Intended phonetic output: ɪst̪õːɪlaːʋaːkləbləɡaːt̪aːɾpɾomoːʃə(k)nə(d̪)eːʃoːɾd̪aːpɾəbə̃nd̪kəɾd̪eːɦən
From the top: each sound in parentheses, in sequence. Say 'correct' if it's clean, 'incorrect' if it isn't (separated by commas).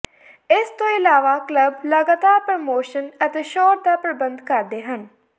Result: incorrect, incorrect